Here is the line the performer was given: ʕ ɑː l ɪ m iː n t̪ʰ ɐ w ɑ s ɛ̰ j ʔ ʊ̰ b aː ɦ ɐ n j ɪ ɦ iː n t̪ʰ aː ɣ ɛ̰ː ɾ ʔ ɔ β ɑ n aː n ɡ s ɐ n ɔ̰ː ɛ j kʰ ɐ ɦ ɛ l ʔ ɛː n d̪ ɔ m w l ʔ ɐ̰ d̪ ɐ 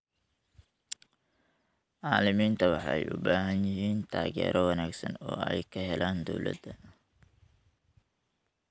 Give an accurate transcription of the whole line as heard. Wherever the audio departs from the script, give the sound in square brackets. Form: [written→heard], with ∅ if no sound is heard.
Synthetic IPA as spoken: ʕ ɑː l ɪ m iː n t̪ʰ ɐ w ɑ [s→ħ] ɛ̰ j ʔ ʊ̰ b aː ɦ ɐ n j ɪ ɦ iː n t̪ʰ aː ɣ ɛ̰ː ɾ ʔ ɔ [β→w] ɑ n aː [n→∅] ɡ s ɐ n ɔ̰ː ɛ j kʰ ɐ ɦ ɛ l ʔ [ɛː→aː] n d̪ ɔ [m→∅] w l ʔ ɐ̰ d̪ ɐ